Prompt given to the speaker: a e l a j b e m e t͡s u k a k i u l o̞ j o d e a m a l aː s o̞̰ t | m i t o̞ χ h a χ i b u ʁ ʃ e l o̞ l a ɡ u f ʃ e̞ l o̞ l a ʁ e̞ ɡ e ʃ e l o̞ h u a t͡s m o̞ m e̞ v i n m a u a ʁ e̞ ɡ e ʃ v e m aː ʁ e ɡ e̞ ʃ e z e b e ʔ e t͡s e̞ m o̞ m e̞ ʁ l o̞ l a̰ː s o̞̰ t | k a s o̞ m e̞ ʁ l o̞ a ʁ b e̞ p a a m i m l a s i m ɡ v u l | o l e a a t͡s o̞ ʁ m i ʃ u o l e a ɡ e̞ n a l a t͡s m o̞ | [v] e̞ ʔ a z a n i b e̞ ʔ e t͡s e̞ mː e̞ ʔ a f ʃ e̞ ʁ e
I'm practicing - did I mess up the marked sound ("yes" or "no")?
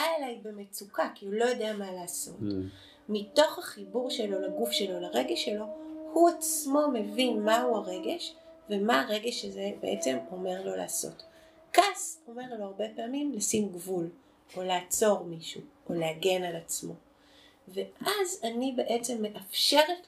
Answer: no